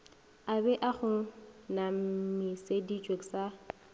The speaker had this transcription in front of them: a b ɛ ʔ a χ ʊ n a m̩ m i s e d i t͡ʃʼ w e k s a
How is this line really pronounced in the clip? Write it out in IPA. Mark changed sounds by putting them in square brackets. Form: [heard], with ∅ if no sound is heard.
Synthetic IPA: a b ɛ ʔ a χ ʊ n a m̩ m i s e d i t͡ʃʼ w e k s a